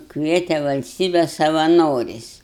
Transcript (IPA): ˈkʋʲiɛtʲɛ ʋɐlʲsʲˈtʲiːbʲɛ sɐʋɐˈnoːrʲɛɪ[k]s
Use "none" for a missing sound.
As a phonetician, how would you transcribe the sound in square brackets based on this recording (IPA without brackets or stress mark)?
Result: none